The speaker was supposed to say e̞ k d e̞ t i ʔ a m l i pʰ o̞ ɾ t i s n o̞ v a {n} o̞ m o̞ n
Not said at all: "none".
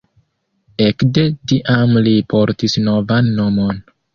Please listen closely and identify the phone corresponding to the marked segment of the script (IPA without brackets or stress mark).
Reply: nː